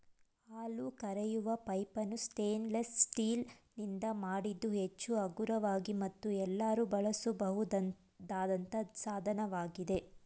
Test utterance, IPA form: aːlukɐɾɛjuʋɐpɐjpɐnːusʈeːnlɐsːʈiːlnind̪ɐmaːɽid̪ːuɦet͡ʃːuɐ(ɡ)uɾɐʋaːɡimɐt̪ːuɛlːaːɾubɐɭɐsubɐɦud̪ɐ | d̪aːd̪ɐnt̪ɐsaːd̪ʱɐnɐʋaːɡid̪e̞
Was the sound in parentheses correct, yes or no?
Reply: yes